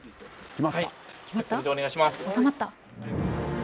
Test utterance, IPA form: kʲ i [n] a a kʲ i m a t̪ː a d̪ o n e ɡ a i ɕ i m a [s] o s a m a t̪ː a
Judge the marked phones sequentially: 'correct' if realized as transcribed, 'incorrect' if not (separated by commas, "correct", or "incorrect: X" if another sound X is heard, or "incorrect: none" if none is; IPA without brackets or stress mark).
incorrect: m, correct